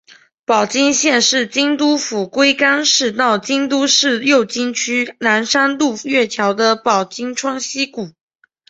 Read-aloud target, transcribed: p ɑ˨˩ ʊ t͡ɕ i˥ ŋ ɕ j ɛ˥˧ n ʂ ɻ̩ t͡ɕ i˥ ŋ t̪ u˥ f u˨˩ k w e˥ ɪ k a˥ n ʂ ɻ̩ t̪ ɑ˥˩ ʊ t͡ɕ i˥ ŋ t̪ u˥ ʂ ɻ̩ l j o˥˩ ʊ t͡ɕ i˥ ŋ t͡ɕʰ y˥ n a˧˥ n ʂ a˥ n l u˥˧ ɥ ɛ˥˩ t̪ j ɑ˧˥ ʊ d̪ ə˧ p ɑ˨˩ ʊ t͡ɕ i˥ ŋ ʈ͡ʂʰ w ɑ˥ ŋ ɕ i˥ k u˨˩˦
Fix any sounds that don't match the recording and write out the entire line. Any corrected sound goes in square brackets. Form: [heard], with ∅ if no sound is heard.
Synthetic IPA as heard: p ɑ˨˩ ʊ t͡ɕ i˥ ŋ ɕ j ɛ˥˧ n ʂ ɻ̩ t͡ɕ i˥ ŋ t̪ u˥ f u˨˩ k w e˥ ɪ k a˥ n ʂ ɻ̩ t̪ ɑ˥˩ ʊ t͡ɕ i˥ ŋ t̪ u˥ ʂ ɻ̩ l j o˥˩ ʊ t͡ɕ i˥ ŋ t͡ɕʰ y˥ n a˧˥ n ʂ a˥ n l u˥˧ ɥ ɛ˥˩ [t̪ʰ] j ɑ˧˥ ʊ d̪ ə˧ p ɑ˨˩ ʊ t͡ɕ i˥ ŋ ʈ͡ʂʰ w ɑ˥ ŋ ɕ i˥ k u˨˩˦